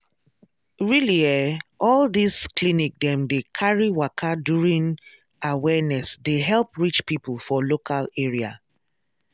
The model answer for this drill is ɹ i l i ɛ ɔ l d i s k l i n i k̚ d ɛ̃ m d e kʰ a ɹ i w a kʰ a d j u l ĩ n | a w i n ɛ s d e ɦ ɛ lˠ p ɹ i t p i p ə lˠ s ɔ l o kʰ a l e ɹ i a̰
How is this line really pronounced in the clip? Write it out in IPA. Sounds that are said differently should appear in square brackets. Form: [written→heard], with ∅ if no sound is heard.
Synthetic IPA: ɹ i l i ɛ ɔ l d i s k l i n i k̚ d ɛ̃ m d e kʰ a ɹ i w a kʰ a d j u [l→ɹ] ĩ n | a w [i→ɛ] n ɛ s d e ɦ ɛ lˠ p ɹ i [t→t͡ʃ] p i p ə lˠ [s→f] ɔ l o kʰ a l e ɹ i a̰